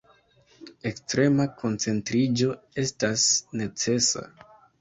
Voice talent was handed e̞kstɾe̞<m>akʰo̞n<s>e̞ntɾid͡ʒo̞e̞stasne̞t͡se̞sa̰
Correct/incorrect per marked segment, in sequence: correct, incorrect

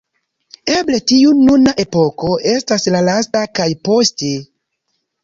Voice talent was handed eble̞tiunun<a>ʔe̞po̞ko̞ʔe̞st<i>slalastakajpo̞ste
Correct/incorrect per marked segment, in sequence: correct, incorrect

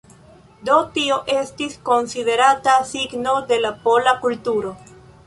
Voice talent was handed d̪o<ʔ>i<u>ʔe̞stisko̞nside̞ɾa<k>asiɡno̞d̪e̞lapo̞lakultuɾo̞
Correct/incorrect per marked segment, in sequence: incorrect, incorrect, incorrect

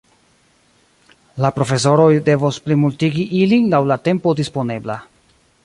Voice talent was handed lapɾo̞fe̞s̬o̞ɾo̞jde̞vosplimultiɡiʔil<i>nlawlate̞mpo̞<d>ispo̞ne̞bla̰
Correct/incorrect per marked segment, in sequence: correct, correct

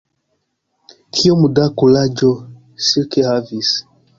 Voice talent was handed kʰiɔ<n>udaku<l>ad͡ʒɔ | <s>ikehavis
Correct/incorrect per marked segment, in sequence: incorrect, correct, correct

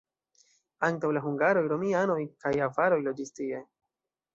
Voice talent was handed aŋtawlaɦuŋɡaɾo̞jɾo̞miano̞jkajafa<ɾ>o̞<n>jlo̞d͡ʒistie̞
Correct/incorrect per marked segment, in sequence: correct, incorrect

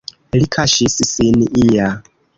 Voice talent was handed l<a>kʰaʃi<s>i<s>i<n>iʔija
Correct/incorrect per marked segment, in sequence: incorrect, correct, correct, correct

